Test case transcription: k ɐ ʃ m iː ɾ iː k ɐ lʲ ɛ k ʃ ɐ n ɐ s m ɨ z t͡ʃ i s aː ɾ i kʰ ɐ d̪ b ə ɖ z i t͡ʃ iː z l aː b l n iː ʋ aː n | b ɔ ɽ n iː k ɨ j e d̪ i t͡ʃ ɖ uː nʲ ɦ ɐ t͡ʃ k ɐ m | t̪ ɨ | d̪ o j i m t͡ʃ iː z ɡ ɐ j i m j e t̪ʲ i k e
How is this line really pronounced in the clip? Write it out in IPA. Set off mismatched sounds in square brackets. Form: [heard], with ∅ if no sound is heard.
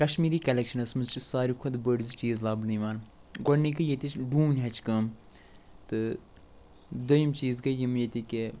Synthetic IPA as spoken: k ɐ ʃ m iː ɾ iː k ɐ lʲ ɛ k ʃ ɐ n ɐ s m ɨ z t͡ʃ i s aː ɾ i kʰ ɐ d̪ b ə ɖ z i t͡ʃ iː z l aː b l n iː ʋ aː n | [ɡ] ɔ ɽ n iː k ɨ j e [t̪] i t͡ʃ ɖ uː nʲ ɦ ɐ t͡ʃ k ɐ m | t̪ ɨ | d̪ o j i m t͡ʃ iː z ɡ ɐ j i m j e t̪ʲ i k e